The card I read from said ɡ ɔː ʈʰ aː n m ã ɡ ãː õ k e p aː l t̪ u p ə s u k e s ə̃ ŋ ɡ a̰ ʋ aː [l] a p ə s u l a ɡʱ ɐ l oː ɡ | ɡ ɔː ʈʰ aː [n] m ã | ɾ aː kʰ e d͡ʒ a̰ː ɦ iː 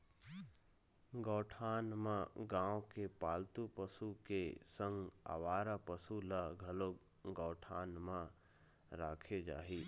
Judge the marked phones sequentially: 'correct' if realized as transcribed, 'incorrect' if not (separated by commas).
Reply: incorrect, correct